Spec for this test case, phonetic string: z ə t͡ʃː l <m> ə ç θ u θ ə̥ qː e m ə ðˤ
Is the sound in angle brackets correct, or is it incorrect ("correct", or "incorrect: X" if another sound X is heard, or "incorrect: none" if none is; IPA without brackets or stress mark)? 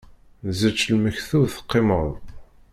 correct